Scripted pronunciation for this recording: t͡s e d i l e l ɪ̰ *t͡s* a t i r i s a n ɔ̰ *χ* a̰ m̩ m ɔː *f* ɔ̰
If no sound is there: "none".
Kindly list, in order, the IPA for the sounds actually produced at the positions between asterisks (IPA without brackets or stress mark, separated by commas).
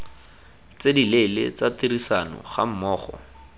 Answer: t͡s, χ, χ